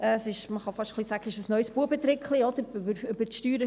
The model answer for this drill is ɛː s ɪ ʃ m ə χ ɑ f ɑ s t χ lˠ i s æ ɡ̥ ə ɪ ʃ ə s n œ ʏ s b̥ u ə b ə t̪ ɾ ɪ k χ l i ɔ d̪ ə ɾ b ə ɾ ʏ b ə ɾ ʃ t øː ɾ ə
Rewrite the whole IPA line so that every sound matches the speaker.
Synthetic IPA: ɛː s ɪ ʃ m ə χ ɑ f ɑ ʃ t χ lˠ i s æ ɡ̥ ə ɪ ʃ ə s n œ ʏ s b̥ u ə b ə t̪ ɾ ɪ k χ l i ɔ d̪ ə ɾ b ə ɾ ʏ b ə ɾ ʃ t yː ɾ ə